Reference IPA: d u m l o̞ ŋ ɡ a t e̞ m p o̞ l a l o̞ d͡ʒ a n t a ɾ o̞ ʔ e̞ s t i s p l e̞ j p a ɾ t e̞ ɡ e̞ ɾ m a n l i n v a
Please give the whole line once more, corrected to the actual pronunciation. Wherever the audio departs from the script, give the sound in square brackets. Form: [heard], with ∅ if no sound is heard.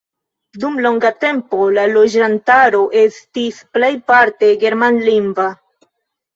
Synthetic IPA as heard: d u m l o̞ ŋ ɡ a t e̞ m p o̞ l a l o̞ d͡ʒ a n t a ɾ o̞ ʔ e̞ s t i s p l e̞ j p a ɾ t e̞ ɡ e̞ ɾ m a n l i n v a